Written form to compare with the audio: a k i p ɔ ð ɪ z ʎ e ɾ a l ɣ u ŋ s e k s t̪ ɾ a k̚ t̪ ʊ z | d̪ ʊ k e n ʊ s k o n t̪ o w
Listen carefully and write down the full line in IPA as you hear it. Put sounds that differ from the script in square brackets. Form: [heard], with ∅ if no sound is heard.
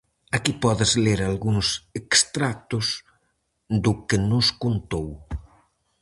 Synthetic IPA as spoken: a k i p ɔ ð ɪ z [l] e ɾ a l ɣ u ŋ s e k s t̪ ɾ a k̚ t̪ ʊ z | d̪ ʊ k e n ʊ s k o n t̪ o w